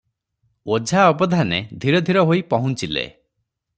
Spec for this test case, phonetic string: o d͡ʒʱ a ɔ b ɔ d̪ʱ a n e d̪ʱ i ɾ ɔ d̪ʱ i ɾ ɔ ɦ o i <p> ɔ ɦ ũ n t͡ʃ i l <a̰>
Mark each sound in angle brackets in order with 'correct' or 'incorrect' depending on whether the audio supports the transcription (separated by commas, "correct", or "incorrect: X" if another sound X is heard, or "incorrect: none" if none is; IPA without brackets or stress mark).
correct, incorrect: ḛ